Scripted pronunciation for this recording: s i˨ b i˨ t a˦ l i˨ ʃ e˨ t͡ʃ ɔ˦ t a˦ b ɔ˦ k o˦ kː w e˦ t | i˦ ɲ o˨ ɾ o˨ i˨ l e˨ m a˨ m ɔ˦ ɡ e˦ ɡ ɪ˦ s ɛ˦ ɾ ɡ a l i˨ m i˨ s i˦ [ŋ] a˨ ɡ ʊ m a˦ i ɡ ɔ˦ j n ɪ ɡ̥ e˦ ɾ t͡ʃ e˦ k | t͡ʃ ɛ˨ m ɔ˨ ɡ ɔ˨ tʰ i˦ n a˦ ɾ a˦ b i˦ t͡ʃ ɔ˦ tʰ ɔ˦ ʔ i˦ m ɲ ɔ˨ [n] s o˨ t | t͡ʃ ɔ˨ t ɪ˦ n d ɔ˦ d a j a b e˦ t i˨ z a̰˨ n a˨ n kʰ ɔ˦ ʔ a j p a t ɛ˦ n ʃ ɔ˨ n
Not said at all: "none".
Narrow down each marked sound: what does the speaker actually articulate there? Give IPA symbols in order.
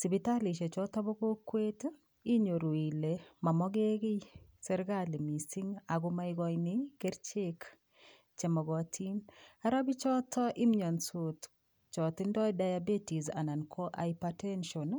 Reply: ŋ, n

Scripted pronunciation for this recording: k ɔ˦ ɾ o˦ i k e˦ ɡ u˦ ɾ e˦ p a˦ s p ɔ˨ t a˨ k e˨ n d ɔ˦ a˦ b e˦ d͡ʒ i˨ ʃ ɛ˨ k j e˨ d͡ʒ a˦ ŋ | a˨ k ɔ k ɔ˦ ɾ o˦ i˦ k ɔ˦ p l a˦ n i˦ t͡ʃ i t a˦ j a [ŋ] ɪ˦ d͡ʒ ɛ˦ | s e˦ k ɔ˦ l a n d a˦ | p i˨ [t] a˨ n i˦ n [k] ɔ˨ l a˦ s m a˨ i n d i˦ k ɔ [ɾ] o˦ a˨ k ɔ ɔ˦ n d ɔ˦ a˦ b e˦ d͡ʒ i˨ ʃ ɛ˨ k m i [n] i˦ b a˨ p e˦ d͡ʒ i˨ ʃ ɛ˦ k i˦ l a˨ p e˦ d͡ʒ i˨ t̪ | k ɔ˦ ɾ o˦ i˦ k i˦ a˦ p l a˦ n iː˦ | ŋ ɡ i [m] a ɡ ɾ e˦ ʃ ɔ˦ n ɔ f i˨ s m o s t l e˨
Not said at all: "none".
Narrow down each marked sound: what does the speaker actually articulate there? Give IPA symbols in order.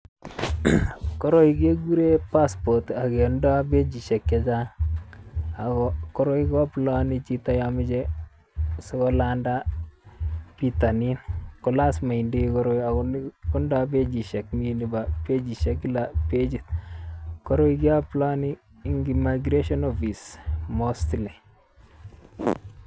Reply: m, t, k, ɾ, n, m

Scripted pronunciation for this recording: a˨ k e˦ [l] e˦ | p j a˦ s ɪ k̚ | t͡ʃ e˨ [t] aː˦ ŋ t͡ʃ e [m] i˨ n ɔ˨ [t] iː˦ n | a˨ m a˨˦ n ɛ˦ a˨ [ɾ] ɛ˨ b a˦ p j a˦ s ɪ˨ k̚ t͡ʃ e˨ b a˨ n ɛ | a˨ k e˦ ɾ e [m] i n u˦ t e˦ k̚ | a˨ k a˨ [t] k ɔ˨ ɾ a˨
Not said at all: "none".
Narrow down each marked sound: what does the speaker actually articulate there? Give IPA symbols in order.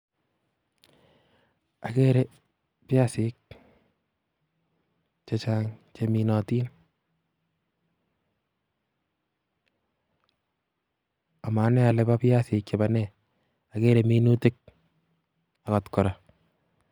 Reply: ɾ, t͡ʃ, m, t, l, m, t

